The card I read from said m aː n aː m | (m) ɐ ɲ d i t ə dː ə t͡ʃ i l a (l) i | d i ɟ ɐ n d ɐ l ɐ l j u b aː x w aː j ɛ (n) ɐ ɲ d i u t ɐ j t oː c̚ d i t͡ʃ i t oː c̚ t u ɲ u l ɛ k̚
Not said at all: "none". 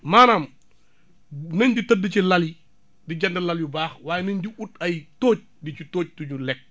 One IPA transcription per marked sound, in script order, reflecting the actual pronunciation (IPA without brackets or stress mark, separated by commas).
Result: n, l, n